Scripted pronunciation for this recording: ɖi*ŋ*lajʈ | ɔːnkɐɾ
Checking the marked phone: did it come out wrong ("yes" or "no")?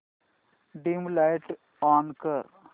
yes